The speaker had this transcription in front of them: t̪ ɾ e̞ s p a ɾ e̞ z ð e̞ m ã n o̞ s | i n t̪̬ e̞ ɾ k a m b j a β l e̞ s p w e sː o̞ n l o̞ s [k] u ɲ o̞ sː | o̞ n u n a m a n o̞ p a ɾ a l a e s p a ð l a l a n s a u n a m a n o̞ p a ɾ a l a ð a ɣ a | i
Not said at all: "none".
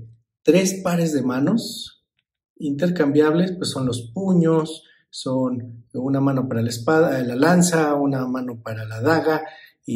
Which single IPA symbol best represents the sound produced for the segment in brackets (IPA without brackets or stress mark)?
p